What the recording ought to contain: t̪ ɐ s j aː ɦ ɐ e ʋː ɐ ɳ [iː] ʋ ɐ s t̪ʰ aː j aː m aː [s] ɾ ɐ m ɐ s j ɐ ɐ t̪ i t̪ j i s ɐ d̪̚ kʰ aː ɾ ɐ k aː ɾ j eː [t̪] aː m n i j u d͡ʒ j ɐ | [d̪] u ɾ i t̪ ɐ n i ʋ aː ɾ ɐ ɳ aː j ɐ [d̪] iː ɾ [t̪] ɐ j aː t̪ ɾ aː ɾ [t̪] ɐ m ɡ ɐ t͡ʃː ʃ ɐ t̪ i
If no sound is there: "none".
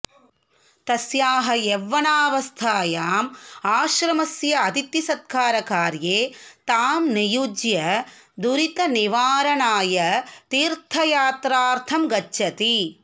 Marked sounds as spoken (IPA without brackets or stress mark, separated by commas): aː, ʃ, t̪, d̪, t̪, t̪ʰ, t̪ʰ